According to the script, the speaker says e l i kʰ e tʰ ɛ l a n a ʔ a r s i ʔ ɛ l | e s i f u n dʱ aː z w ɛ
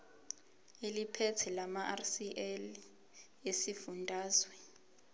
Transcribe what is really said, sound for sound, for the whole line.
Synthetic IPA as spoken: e l i pʰ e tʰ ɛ l a m a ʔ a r s i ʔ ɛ l | e s i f u n dʱ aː z w ɛ